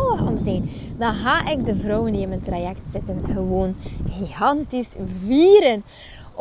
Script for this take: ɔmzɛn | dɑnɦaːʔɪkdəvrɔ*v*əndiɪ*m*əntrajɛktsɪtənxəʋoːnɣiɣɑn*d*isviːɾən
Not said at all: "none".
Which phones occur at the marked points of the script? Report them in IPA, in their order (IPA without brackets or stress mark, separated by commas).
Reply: w, m, t